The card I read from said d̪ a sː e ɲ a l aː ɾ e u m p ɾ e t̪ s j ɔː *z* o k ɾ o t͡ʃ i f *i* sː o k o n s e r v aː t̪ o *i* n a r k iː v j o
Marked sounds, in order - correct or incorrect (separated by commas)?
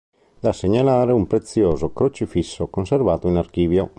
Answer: correct, correct, correct